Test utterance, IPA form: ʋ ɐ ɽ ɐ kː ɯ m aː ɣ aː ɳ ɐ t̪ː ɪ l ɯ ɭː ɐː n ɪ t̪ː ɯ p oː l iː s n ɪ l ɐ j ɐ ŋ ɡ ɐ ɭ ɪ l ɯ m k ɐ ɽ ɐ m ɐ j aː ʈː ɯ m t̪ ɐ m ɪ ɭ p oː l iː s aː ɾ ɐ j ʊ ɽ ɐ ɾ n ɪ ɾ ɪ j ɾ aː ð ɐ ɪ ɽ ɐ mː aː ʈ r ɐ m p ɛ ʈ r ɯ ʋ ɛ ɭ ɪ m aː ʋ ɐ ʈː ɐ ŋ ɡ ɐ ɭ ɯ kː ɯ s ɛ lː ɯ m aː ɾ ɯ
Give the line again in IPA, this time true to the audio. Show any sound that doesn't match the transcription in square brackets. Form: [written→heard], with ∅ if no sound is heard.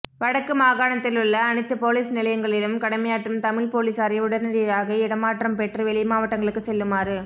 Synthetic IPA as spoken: ʋ ɐ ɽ ɐ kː ɯ m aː ɣ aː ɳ ɐ t̪ː ɪ l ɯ ɭː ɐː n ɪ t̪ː ɯ p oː l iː s n ɪ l ɐ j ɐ ŋ ɡ ɐ ɭ ɪ l ɯ m k ɐ ɽ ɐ m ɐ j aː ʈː ɯ m t̪ ɐ m ɪ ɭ p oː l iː s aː ɾ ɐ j ʊ ɽ ɐ ɾ n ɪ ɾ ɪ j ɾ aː [ð→ɣ] ɐ ɪ ɽ ɐ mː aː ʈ r ɐ m p ɛ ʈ r ɯ ʋ ɛ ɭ ɪ m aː ʋ ɐ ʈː ɐ ŋ ɡ ɐ ɭ ɯ kː ɯ s ɛ lː ɯ m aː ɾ ɯ